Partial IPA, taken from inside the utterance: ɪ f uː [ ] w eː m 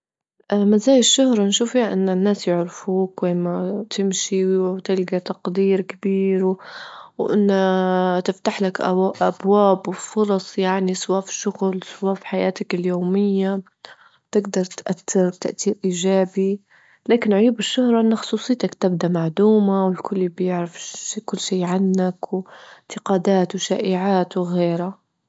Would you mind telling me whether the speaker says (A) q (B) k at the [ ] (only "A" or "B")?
B